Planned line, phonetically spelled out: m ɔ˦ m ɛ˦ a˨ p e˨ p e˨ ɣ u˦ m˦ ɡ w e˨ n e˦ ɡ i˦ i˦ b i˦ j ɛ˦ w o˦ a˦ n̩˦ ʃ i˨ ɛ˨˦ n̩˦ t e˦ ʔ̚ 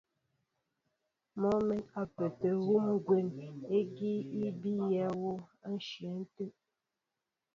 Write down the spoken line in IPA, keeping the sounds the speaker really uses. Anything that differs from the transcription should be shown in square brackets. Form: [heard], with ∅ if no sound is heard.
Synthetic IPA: m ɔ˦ m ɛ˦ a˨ p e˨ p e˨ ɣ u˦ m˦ ɡ w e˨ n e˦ ɡ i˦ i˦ b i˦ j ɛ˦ w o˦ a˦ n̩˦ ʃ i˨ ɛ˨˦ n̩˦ t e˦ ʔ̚